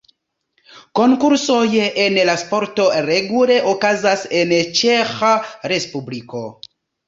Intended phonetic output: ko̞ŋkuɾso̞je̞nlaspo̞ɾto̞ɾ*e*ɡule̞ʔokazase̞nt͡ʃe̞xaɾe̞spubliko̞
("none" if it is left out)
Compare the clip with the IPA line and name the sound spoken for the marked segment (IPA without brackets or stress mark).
e